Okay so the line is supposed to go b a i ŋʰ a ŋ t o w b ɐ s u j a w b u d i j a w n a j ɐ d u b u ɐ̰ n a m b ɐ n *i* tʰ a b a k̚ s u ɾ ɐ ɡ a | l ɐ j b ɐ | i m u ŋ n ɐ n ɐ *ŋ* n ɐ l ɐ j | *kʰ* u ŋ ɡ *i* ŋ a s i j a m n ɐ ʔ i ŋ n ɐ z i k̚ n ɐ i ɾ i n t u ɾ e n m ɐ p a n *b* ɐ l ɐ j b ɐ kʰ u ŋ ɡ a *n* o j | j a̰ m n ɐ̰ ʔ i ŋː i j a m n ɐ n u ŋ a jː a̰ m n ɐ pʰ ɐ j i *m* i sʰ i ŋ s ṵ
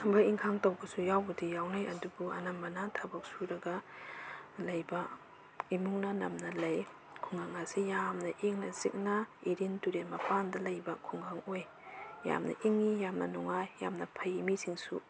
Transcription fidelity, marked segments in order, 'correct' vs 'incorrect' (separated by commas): incorrect, incorrect, correct, incorrect, incorrect, incorrect, correct